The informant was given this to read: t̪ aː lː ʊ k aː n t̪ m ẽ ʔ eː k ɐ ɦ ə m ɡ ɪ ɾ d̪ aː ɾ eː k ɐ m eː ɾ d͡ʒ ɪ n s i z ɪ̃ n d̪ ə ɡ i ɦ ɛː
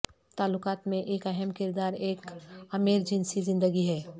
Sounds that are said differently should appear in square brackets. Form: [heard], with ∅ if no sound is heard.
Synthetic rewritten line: t̪ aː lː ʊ k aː [∅] t̪ m ẽ ʔ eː k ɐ ɦ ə m [k] ɪ ɾ d̪ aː ɾ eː k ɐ m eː ɾ d͡ʒ ɪ n s i z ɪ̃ n d̪ ə ɡ i ɦ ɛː

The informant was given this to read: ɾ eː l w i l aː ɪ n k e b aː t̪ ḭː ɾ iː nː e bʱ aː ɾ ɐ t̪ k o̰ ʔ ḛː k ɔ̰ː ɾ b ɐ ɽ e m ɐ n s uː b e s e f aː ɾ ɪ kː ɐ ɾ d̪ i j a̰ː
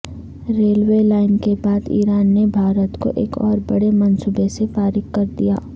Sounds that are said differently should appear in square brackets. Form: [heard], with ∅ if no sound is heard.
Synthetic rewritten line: ɾ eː l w [e] l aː ɪ n k e b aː [d̪] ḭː ɾ [aː] nː e bʱ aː ɾ [ə] t̪ k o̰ ʔ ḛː k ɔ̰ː ɾ b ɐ ɽ e m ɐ n s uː b e s e f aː ɾ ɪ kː ɐ ɾ d̪ i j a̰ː

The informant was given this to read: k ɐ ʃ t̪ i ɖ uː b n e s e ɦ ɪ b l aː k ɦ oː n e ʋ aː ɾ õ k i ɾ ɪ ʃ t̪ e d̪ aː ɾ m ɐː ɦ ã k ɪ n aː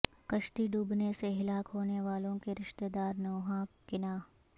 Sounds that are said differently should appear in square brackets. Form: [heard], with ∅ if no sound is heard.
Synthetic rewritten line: k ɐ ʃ t̪ i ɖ uː b n e s e ɦ ɪ [∅] l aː k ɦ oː n e ʋ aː [l] õ k [e] ɾ ɪ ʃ t̪ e d̪ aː ɾ [n] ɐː ɦ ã k ɪ n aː

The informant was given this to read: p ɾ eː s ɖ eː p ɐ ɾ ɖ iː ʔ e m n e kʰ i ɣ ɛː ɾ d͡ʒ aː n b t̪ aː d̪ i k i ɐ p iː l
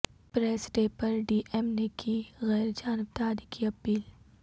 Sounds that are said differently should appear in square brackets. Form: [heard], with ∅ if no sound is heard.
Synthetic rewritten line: p ɾ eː s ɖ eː p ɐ ɾ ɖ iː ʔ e m n e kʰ i ɣ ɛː ɾ d͡ʒ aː n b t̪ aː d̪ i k i ɐ p iː l

